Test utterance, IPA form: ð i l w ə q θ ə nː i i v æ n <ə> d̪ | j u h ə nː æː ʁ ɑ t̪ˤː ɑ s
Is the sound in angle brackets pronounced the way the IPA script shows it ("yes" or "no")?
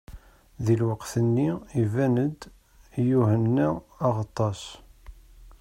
yes